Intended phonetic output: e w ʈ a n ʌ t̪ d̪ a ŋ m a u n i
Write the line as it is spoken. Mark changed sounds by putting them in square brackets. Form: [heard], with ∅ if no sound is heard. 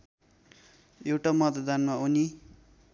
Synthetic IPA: e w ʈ a [m] ʌ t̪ d̪ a [n] m a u n i